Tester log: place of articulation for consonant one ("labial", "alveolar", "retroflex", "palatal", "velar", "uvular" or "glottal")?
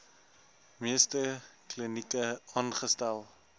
labial